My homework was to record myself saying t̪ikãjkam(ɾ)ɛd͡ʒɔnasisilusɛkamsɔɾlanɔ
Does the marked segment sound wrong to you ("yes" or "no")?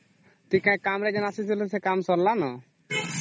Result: no